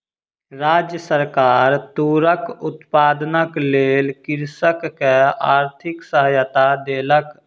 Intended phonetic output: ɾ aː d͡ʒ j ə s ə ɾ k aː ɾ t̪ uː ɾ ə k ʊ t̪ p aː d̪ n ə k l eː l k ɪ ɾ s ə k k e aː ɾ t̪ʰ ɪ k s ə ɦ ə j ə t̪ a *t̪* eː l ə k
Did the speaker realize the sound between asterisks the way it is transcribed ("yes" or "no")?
no